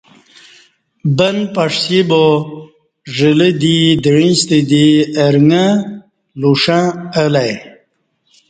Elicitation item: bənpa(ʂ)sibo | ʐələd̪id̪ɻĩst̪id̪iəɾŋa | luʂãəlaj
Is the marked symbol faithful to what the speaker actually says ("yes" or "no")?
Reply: yes